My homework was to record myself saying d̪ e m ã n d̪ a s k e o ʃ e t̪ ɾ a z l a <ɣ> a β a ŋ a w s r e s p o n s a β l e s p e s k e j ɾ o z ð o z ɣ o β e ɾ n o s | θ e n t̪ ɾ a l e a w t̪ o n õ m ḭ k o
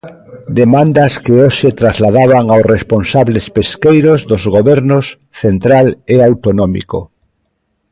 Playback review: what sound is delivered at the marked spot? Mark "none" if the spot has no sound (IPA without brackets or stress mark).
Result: ð